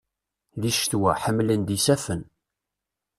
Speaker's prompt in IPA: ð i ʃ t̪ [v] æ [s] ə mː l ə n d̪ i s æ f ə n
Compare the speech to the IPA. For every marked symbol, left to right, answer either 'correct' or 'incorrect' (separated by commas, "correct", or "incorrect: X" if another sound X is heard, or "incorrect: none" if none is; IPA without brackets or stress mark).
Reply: incorrect: w, incorrect: ħ